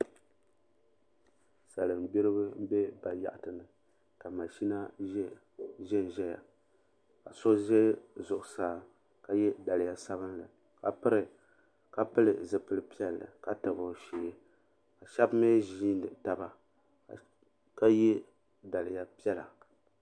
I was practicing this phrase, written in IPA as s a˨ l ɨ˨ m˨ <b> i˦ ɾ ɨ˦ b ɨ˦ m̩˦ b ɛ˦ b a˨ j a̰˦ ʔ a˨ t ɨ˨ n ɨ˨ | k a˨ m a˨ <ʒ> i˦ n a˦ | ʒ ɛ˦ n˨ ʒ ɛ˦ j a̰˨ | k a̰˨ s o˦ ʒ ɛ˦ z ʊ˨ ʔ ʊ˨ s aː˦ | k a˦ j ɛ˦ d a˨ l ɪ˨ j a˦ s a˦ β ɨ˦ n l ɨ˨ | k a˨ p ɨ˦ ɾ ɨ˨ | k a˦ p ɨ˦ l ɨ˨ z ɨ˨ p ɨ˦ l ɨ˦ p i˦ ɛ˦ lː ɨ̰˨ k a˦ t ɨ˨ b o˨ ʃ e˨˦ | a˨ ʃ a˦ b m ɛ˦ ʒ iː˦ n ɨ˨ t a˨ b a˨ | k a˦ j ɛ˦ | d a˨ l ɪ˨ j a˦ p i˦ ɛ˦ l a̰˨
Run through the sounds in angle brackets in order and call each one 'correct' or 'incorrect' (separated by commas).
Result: correct, incorrect